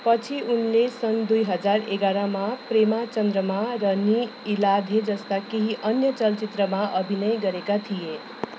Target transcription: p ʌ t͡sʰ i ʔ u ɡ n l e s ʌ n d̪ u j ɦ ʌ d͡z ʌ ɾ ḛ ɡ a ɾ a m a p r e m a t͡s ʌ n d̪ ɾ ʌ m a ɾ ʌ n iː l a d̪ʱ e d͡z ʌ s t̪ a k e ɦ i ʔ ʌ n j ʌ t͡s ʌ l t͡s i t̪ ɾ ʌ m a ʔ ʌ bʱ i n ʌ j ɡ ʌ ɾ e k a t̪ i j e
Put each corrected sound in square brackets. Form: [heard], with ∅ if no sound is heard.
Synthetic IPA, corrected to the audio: p ʌ t͡sʰ i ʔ u [∅] n l e s ʌ n d̪ u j ɦ ʌ d͡z [a] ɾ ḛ ɡ a ɾ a m a p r e m a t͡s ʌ n d̪ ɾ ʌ m a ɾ ʌ n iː l a d̪ʱ e d͡z ʌ s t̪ a k e ɦ i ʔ ʌ n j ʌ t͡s ʌ l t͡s i t̪ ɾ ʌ m a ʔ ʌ bʱ i n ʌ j ɡ ʌ ɾ e k a [t̪ʰ] i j e